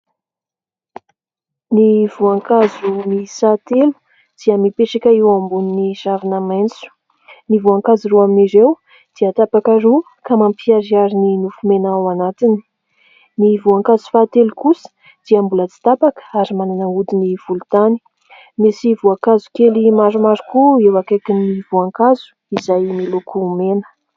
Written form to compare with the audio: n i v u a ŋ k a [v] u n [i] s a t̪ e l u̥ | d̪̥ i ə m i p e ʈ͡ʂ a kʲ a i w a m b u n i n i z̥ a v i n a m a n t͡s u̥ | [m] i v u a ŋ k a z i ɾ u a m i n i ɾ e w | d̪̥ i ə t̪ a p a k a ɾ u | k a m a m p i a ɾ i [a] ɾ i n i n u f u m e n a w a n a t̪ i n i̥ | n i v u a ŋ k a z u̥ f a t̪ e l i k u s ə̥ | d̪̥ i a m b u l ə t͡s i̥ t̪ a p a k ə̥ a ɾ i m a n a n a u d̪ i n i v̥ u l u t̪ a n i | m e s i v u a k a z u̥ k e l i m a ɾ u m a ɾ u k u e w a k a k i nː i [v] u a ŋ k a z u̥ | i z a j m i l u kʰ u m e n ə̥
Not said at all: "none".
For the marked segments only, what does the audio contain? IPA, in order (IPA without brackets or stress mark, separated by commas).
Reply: z, i, n, a, v